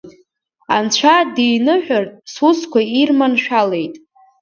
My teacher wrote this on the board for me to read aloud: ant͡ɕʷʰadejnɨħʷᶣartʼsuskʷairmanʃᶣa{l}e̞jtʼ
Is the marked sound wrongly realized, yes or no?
no